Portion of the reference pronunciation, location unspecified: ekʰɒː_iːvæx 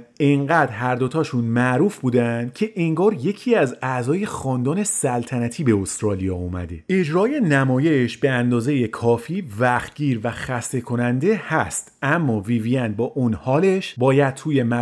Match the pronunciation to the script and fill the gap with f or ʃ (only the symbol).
f